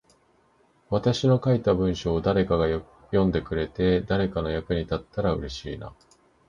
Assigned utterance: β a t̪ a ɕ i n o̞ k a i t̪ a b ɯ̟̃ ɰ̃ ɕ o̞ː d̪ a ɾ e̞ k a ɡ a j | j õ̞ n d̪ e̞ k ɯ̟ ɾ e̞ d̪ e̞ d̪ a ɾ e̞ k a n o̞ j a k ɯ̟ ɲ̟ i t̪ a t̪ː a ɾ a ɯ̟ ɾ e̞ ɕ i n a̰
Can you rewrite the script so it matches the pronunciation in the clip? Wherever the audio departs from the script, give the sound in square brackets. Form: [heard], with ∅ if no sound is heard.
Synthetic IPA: β a t̪ a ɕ i n o̞ k a i t̪ a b ɯ̟̃ ɰ̃ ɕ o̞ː d̪ a ɾ e̞ k a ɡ a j | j õ̞ n d̪ e̞ k ɯ̟ ɾ e̞ [t̪] e̞ d̪ a ɾ e̞ k a n o̞ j a k ɯ̟ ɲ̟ i t̪ a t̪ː a ɾ a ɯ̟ ɾ e̞ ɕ [iː] n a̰